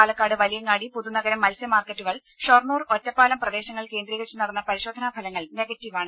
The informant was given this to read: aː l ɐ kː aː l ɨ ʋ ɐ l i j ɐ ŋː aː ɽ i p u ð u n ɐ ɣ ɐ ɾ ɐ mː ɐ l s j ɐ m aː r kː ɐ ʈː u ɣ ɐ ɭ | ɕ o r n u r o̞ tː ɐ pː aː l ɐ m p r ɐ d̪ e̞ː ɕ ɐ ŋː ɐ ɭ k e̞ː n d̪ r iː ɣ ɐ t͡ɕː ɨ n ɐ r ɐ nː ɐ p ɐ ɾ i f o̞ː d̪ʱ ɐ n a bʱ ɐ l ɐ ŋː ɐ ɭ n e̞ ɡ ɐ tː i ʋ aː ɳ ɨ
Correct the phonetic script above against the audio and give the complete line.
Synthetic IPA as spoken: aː l ɐ kː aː ɽ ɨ ʋ ɐ l i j ɐ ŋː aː ɽ i p u ð u n ɐ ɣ ɐ ɾ ɐ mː ɐ l s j ɐ m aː r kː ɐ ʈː u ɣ ɐ ɭ | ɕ o r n uː r o̞ tː ɐ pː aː l ɐ m p r ɐ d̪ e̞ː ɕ ɐ ŋː ɐ ɭ k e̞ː n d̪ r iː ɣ ɐ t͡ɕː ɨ n ɐ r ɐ nː ɐ p ɐ ɾ i ɕ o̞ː d̪ʱ ɐ n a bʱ ɐ l ɐ ŋː ɐ ɭ n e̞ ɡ ɐ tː i ʋ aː ɳ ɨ